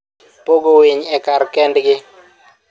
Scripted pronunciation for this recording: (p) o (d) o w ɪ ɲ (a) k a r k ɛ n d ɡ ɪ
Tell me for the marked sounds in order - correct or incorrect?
correct, incorrect: ɡ, incorrect: ɛ

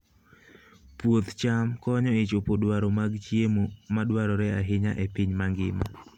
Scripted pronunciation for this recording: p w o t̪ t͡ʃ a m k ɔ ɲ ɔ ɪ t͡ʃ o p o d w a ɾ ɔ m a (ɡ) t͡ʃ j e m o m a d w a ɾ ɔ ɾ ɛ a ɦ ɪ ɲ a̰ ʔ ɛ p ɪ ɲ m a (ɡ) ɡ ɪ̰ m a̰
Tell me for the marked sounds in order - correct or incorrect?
correct, incorrect: ŋ

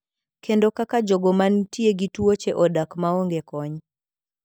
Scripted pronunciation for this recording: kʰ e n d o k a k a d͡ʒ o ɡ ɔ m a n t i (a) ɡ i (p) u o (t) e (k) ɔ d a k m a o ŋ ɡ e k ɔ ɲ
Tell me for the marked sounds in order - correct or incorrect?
incorrect: e, incorrect: t, incorrect: t͡ʃ, incorrect: ʔ

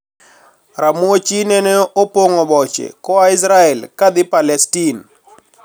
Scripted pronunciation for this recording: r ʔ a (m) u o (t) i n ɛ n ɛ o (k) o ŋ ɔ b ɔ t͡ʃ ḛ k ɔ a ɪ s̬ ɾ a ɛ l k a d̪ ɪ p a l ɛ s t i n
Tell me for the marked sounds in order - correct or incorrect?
correct, incorrect: t͡ʃ, incorrect: p

